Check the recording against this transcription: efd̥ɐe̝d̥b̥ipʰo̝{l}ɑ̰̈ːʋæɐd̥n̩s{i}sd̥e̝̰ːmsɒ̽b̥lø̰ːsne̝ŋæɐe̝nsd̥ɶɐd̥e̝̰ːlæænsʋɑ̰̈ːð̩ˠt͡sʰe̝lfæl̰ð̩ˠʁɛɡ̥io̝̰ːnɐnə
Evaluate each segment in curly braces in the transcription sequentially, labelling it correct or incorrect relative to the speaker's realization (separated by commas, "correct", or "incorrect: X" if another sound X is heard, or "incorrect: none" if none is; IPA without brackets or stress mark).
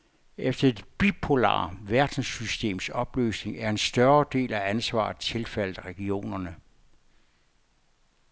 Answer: correct, incorrect: y